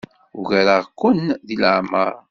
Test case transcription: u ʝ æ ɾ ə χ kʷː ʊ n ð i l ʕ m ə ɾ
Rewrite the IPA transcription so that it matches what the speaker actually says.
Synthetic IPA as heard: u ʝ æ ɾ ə ʁ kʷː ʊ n ð i l ʕ m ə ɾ

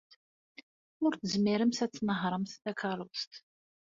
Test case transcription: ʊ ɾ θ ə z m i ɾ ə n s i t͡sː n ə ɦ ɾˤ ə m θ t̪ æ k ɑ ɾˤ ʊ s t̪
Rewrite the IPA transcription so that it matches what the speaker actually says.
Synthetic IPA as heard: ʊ ɾ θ ə z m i ɾ ə m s æ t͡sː n ə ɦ ɾˤ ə m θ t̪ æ k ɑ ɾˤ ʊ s t̪

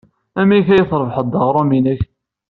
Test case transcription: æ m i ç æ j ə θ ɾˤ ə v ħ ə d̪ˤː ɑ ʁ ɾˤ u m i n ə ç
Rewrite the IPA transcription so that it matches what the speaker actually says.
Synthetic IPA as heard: æ m i ç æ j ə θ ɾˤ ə v ħ ə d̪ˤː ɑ ʁ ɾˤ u m i n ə ç

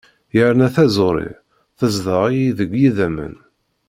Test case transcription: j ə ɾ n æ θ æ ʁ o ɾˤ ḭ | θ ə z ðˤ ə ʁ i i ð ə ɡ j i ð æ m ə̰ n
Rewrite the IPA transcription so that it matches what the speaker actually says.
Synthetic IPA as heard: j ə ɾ n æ θ æ z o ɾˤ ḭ | θ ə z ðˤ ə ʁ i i ð ə ɡ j i ð æ m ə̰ n

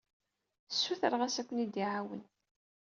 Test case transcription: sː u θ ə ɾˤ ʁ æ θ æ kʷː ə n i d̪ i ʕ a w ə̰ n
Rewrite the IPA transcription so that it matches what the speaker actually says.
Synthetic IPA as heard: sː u θ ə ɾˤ ʁ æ s æ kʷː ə n i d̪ i ʕ a w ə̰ n

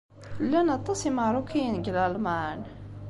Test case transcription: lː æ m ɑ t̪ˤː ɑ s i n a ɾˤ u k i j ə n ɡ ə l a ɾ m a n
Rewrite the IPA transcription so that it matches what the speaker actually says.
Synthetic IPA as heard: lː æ n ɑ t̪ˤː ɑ s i m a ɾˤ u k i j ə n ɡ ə l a l m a n

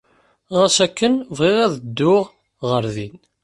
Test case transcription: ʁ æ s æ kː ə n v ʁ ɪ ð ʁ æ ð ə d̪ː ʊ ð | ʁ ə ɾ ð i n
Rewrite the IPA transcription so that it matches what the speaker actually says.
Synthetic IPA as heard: ʁ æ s æ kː ə n v ʁ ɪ ʁ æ ð ə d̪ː ʊ ʁ | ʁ ə ɾ ð i n

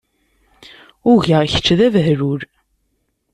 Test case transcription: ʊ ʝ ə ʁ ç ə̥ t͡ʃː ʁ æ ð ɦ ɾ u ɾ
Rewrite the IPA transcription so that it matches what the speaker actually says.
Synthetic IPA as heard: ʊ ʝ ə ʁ ç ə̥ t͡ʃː ð æ v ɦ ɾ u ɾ

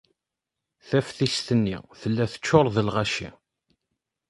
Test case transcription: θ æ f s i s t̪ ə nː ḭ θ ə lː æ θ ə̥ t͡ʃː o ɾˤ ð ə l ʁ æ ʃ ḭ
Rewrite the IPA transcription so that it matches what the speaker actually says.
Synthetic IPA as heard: θ æ f θ i s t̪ ə nː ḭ θ ə lː æ θ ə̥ t͡ʃː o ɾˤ ð ə l ʁ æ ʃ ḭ

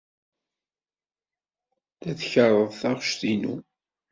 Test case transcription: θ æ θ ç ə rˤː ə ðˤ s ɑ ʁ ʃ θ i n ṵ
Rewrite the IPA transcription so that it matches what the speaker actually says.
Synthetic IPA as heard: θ æ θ ç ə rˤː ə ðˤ θ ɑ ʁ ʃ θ i n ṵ

